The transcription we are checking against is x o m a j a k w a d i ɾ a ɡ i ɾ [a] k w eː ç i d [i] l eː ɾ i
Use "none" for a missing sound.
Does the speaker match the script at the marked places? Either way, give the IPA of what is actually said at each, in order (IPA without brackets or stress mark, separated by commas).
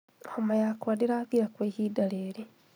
a, a